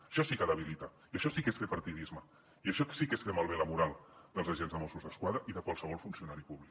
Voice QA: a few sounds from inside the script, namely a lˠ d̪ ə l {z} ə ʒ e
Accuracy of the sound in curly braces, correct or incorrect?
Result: correct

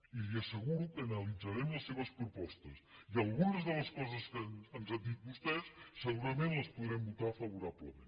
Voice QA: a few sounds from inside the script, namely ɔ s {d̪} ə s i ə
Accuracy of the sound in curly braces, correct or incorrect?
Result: incorrect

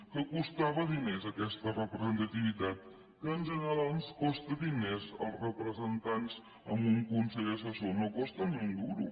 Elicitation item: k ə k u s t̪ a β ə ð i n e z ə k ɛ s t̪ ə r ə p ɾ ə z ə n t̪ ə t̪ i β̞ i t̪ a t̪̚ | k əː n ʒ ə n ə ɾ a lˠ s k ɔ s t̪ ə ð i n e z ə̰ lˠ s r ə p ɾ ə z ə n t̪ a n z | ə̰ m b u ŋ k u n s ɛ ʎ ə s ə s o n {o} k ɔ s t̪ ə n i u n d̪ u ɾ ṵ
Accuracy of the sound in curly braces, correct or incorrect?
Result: correct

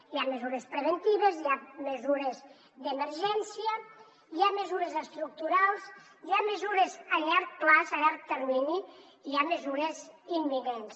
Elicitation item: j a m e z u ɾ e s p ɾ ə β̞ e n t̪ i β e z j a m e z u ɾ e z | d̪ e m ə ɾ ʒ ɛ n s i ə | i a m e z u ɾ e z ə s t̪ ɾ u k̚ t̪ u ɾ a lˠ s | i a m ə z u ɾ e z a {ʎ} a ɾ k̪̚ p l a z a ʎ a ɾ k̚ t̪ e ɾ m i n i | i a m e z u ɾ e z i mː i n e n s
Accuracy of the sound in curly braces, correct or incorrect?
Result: correct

